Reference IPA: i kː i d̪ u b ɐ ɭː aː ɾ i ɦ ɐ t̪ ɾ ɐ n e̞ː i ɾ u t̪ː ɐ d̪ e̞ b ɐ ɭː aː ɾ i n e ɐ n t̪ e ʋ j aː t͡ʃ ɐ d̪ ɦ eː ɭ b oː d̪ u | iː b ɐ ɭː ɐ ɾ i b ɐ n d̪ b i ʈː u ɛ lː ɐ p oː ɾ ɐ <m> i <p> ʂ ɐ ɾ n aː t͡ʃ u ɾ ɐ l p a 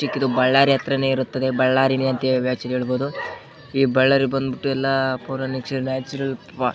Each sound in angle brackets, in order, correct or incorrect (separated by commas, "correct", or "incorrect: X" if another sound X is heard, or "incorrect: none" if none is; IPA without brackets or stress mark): incorrect: n, incorrect: k